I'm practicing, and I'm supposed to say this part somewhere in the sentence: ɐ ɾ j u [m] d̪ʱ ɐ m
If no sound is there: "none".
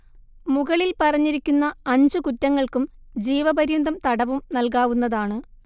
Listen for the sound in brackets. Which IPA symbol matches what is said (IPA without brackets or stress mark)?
n